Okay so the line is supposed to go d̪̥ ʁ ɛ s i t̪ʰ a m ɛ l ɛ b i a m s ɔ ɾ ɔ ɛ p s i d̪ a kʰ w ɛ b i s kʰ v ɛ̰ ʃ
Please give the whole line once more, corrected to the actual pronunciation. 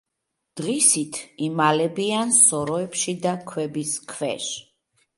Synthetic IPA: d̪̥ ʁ i s i t̪ʰ i m a l ɛ b i a n s ɔ ɾ ɔ ɛ p ʃ i d̪ a kʰ w ɛ b i s kʰ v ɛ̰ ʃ